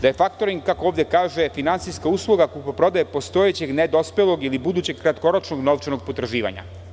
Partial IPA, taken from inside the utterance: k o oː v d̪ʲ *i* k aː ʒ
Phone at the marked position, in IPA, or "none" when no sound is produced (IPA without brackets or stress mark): e